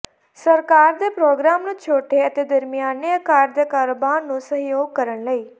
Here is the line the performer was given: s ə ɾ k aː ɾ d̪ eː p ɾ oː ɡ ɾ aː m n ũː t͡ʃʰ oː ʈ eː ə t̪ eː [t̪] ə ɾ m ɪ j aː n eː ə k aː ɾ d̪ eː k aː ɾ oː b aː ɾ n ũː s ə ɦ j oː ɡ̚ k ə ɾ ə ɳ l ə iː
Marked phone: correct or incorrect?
incorrect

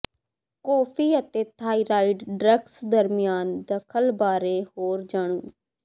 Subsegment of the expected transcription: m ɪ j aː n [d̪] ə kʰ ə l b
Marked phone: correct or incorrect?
correct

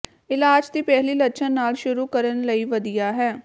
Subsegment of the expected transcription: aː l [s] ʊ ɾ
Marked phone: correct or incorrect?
incorrect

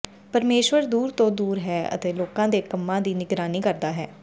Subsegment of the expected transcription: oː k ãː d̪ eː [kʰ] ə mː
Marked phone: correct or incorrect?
incorrect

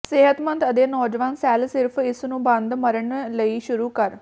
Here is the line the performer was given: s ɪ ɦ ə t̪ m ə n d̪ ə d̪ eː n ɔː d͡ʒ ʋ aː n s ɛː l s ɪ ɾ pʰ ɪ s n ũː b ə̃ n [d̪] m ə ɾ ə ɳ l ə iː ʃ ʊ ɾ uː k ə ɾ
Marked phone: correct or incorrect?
correct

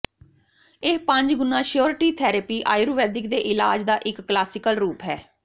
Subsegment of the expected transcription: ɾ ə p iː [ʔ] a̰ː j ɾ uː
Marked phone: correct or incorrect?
correct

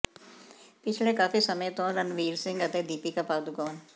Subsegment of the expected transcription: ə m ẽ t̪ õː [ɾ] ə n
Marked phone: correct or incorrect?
correct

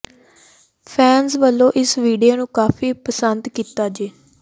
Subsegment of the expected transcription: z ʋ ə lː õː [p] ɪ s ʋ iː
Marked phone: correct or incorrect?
incorrect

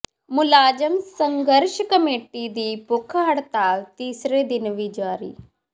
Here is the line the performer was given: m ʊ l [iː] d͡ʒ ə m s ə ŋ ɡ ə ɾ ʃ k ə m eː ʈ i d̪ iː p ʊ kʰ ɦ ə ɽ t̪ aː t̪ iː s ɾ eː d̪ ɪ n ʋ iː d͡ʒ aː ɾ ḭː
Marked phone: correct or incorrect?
incorrect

